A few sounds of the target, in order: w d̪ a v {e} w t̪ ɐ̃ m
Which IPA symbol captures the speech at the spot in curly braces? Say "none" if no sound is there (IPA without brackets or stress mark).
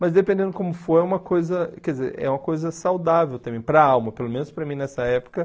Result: e